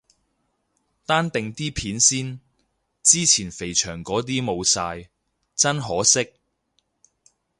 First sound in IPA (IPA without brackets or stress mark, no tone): t̪